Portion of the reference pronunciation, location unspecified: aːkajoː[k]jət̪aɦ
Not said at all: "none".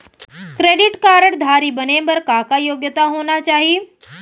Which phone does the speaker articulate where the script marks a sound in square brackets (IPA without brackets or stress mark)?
ɡ